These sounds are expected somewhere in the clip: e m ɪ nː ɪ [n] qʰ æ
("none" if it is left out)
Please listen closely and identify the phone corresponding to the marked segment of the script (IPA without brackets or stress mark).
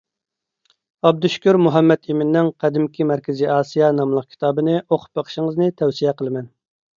ŋ